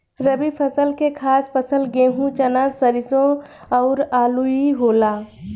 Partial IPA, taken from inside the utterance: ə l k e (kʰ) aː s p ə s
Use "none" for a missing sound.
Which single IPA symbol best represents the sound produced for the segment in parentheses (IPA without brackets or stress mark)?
kʰ